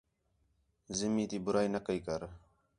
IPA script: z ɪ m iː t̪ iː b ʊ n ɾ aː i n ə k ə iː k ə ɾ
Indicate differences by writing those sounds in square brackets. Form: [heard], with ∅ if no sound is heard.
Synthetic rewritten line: z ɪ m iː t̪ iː b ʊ [∅] ɾ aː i n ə k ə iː k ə ɾ